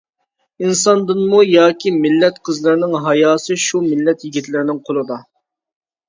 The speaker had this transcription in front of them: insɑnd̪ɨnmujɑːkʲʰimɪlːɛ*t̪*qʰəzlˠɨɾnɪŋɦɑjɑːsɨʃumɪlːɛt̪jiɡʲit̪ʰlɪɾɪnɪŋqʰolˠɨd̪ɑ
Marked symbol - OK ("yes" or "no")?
yes